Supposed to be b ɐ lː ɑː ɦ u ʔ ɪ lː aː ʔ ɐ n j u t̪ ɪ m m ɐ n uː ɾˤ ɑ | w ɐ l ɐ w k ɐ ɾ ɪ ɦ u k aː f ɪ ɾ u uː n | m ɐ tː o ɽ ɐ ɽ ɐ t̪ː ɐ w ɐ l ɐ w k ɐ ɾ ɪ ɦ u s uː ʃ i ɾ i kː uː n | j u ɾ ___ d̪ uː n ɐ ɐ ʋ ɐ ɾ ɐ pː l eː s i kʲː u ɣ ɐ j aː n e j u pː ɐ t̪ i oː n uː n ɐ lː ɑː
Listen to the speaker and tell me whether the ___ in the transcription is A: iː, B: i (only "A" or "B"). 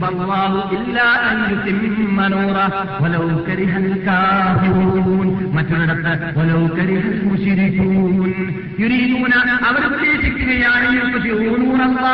A